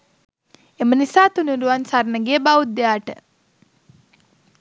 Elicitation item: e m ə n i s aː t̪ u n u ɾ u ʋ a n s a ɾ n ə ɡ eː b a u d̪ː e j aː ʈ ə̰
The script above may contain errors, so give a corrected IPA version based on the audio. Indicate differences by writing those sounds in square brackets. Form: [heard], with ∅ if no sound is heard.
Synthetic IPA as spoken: e m ə n i s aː t̪ u n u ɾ u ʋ a n s a ɾ n ə ɡ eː b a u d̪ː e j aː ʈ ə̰